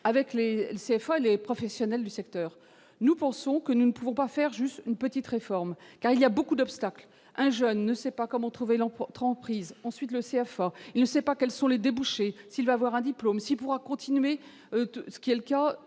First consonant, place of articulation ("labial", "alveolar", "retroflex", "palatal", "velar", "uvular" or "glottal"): labial